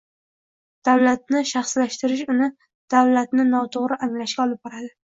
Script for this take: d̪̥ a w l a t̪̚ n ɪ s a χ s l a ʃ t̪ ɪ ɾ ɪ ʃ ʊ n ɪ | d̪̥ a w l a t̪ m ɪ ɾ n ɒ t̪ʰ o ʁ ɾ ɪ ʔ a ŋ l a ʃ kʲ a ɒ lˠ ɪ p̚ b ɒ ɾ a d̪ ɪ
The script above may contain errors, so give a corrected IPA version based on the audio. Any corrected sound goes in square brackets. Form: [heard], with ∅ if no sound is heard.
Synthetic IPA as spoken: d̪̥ a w l a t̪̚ n ɪ [ʃ] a χ s l a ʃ t̪ ɪ ɾ ɪ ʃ ʊ n ɪ | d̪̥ a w l a t̪ [n] ɪ [∅] n ɒ t̪ʰ o ʁ ɾ ɪ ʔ a ŋ l a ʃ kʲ a ɒ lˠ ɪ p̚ b ɒ ɾ a d̪ ɪ